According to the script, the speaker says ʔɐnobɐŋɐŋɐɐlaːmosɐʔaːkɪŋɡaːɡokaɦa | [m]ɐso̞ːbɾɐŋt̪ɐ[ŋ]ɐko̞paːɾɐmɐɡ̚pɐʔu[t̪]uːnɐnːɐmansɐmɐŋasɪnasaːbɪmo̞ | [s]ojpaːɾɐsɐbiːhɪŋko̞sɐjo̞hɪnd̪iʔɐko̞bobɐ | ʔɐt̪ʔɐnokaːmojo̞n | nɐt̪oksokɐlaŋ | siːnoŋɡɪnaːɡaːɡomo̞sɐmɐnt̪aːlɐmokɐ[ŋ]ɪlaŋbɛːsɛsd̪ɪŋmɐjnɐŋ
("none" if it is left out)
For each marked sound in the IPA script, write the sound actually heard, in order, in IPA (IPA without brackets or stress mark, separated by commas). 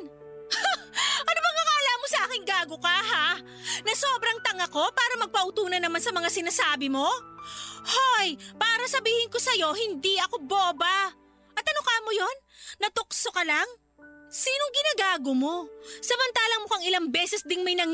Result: n, ŋ, t̪, h, ŋ